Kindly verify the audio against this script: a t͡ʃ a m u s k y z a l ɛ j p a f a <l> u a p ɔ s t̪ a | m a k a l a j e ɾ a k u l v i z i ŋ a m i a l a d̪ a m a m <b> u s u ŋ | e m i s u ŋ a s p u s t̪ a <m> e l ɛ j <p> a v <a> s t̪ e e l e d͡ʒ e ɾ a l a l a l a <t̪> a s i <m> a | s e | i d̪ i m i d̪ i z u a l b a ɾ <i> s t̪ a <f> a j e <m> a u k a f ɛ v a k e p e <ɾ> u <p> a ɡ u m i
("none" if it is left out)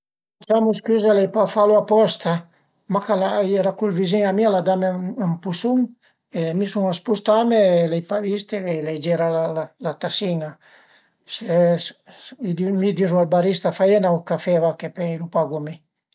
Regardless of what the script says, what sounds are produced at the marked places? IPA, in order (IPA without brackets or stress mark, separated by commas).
l, p, m, p, i, t̪, ŋ, i, f, n, l, p